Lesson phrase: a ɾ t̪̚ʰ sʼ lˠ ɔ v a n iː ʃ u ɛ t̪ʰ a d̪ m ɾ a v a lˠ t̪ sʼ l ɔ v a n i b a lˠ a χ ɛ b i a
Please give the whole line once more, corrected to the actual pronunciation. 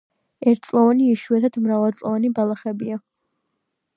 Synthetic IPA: ɛ ɾ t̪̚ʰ sʼ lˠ ɔ v a n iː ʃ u ɛ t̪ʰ a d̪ m ɾ a v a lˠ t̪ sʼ l ɔ v a n i b a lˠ a χ ɛ b i a